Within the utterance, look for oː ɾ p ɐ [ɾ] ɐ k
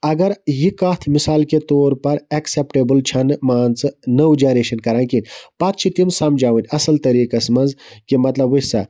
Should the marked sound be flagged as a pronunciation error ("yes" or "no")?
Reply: no